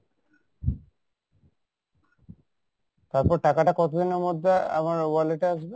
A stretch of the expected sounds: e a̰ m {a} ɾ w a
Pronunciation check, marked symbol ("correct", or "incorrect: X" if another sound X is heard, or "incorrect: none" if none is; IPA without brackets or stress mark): correct